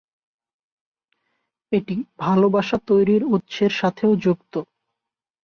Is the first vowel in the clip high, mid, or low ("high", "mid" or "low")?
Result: mid